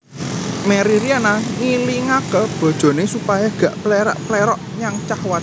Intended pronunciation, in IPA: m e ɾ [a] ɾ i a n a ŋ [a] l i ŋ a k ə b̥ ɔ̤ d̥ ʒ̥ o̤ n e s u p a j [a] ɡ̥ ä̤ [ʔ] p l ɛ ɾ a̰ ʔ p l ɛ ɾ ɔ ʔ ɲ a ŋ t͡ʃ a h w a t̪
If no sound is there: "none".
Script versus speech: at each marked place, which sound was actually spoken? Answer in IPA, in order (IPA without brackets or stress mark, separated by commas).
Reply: i, i, a, ʔ